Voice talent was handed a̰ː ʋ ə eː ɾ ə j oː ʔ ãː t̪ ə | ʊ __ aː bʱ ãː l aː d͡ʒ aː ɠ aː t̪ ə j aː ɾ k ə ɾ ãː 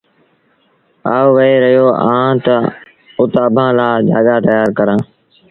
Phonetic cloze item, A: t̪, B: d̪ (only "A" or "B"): A